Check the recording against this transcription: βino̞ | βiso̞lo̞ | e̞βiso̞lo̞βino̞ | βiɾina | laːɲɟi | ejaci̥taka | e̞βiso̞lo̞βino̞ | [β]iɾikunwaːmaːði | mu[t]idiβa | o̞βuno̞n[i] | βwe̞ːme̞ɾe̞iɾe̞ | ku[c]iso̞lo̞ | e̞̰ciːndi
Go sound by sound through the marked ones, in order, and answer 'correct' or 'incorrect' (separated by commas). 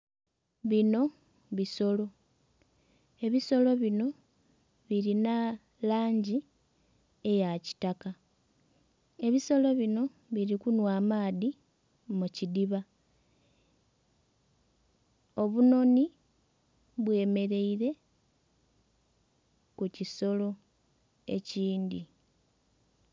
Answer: correct, incorrect, correct, correct